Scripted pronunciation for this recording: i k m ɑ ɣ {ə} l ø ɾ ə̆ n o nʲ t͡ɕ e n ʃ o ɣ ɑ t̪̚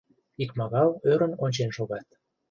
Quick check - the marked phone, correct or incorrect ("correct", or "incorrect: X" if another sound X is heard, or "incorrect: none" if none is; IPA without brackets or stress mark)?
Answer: incorrect: ɑ